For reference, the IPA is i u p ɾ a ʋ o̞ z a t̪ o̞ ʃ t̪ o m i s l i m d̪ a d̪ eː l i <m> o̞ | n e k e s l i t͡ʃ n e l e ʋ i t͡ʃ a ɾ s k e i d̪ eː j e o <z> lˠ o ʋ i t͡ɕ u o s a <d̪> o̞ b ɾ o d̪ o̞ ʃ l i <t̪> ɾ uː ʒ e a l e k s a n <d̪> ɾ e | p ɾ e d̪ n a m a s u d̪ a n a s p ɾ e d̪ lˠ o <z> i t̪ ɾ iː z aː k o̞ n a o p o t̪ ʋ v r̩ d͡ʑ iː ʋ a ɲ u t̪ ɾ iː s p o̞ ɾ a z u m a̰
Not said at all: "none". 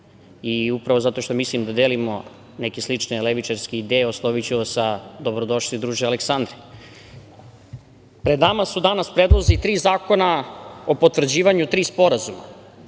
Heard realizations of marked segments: m, s, d̪, d̪, d̪, z

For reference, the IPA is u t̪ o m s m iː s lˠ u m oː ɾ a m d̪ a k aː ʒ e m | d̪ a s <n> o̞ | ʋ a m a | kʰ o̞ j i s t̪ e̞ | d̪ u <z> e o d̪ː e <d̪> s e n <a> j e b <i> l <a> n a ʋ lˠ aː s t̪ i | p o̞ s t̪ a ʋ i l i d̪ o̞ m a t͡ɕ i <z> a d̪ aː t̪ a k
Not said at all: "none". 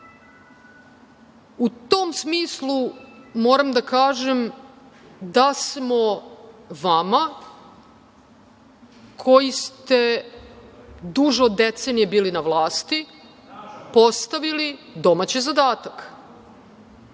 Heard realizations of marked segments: m, ʒ, t̪, i, iː, i, z

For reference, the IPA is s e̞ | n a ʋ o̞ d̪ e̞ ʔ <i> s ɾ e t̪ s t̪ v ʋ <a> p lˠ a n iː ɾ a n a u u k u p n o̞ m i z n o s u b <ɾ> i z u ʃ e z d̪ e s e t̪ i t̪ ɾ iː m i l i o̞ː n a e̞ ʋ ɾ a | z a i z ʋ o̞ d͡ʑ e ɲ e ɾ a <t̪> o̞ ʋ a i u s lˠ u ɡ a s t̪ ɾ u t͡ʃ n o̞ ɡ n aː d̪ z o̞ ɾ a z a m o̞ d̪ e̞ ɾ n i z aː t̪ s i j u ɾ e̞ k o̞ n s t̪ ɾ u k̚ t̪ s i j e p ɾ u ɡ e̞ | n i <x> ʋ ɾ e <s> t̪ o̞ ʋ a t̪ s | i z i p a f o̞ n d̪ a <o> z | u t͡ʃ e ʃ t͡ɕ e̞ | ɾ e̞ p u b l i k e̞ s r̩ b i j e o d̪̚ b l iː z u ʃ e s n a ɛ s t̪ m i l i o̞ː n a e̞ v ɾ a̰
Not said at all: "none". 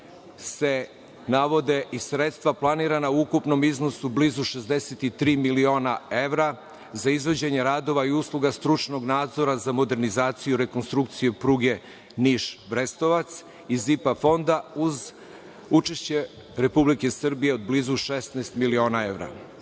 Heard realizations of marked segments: i, a, l, d̪, ʃ, s, u

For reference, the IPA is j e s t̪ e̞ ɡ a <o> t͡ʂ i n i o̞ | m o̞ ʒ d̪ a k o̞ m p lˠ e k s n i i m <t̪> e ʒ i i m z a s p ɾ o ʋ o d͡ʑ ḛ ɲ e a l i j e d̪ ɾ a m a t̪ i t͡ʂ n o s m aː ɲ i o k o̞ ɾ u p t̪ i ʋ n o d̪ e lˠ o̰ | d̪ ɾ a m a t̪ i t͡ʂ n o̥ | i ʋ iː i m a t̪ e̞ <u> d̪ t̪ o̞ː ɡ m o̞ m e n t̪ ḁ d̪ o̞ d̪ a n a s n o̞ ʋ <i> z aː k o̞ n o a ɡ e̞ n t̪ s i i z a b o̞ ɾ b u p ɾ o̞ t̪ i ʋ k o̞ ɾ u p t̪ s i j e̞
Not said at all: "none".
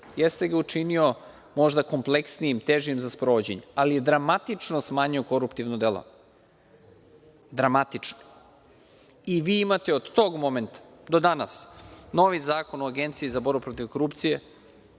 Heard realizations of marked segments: u, t̪, o, i

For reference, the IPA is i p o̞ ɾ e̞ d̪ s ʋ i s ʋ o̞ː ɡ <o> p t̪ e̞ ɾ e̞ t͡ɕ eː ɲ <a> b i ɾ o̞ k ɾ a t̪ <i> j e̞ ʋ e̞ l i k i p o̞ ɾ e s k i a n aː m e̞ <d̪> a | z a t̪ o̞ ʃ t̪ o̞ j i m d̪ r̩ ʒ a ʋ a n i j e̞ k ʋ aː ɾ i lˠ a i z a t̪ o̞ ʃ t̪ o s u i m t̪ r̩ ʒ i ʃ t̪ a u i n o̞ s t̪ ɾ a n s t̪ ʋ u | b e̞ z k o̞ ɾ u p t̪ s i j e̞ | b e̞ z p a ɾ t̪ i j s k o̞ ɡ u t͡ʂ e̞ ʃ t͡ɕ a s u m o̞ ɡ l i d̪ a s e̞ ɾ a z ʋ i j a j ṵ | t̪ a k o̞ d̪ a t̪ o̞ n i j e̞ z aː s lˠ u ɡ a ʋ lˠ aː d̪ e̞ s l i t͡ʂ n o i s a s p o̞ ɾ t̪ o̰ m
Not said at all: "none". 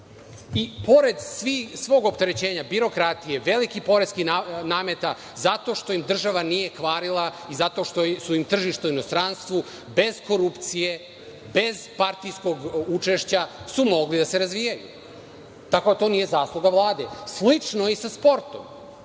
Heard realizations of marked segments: o, a, i, t̪

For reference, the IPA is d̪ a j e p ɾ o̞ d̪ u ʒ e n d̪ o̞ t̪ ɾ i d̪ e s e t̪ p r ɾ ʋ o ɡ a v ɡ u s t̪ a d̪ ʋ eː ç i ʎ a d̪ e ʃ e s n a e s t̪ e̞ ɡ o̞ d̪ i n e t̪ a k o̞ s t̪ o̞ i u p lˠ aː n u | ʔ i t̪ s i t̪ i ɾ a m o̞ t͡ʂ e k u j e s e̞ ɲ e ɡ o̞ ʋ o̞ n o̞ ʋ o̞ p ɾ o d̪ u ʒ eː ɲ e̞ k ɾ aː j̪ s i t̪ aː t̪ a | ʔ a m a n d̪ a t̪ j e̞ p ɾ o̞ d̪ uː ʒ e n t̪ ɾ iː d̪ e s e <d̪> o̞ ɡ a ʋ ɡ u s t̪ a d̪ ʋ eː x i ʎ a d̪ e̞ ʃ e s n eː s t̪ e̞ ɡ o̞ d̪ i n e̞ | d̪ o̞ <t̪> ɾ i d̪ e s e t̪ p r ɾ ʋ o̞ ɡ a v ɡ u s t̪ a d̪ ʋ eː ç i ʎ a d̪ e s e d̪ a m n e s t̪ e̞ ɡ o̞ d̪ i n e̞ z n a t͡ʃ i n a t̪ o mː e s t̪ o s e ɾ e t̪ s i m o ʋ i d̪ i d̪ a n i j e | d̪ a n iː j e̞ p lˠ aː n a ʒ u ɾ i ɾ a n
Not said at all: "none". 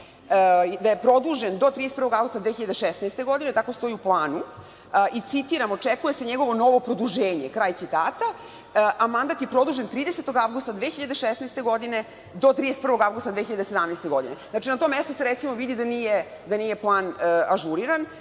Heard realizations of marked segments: t̪, t̪

